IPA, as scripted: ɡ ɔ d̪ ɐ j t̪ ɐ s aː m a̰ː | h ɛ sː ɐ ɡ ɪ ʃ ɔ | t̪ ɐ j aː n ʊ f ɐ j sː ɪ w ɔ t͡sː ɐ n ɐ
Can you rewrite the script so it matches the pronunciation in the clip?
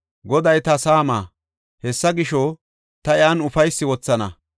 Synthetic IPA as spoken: ɡ ɔ d̪ ɐ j t̪ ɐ s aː m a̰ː | h ɛ sː ɐ ɡ ɪ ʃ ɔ | t̪ ɐ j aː n ʊ f ɐ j sː ɪ w ɔ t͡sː ɐ n ɐ